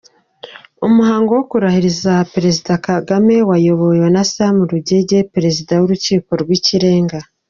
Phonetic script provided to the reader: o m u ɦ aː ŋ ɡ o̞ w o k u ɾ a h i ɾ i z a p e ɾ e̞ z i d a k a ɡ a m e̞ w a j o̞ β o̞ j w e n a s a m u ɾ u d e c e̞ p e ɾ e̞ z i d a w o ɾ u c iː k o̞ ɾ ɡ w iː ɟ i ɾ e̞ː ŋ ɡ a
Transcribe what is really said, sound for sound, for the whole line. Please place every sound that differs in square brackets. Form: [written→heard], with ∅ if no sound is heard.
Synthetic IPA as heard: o m u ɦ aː ŋ ɡ o̞ w o k u ɾ a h i ɾ i z a p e ɾ e̞ z i d a k a ɡ a m e̞ w a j o̞ β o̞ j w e n a s a m u ɾ u [d→ɟ] e [c→ɟ] e̞ p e ɾ e̞ z i d a w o ɾ u c iː k o̞ ɾ ɡ w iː [ɟ→c] i ɾ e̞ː ŋ ɡ a